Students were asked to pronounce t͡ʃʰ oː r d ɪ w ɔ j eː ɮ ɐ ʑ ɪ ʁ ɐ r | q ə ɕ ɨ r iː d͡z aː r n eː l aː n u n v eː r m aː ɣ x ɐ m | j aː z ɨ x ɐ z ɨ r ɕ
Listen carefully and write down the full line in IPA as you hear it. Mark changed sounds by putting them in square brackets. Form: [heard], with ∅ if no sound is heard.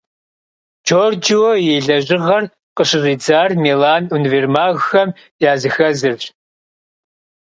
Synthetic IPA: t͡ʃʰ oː r [d͡ʒ] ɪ w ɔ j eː ɮ ɐ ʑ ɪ ʁ ɐ r | q ə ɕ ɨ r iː d͡z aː r [m] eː l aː n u n v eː r m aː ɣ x ɐ m | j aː z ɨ x ɐ z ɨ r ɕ